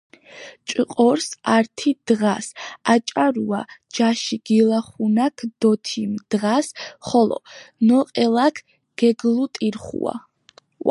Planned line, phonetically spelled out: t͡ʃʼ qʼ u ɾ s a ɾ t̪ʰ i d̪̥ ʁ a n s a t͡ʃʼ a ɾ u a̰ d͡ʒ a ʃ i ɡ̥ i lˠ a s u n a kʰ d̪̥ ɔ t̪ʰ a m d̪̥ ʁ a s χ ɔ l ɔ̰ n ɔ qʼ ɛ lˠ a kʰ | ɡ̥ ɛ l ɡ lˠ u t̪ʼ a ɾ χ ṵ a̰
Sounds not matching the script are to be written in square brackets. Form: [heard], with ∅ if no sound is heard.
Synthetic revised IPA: t͡ʃʼ qʼ [ɔ] ɾ s a ɾ t̪ʰ i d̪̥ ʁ a [∅] s a t͡ʃʼ a ɾ u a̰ d͡ʒ a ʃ i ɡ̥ i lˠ a [χ] u n a kʰ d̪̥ ɔ t̪ʰ [i] m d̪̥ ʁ a s χ ɔ l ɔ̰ n ɔ qʼ ɛ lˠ a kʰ | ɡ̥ ɛ [∅] ɡ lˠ u t̪ʼ [i] ɾ χ ṵ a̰